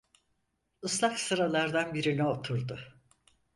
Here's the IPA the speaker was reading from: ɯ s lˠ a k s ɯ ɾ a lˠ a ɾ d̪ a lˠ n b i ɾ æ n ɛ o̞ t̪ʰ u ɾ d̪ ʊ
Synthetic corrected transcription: ɯ s lˠ a k s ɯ ɾ a lˠ a ɾ d̪ a n b i ɾ i n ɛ o̞ t̪ʰ u ɾ d̪ ʊ